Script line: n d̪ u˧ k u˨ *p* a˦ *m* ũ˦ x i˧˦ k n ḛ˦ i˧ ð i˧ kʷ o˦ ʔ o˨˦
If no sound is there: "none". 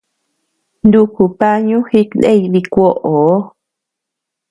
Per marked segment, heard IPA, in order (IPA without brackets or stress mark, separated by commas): p, ɲ